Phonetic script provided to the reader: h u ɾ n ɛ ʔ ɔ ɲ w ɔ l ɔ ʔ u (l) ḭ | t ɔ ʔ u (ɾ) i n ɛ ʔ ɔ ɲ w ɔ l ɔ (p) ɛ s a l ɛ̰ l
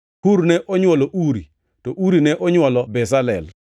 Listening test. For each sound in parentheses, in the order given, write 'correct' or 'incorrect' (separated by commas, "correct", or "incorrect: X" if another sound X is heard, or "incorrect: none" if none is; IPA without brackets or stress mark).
incorrect: ɾ, correct, incorrect: b